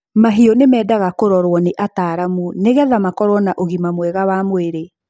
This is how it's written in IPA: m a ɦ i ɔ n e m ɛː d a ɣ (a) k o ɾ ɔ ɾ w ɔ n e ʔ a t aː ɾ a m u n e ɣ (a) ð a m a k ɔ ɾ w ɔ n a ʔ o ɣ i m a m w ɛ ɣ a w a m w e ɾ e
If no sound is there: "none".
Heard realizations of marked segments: a, ɛ

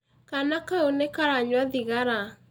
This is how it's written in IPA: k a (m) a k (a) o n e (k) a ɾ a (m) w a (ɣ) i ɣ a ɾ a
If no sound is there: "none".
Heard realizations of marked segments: n, a, k, ɲ, ð

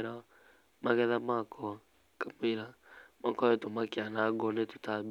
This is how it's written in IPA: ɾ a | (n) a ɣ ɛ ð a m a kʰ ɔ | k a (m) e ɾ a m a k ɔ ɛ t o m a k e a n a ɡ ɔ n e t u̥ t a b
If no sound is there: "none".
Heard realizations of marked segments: m, m

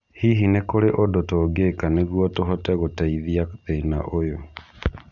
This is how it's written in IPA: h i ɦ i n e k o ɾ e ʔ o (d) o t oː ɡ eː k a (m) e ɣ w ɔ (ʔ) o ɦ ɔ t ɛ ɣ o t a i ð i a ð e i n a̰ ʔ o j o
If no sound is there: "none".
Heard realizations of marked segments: d, n, t

